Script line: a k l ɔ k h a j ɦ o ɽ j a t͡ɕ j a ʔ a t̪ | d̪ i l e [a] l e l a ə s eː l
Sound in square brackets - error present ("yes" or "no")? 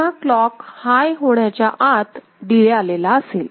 no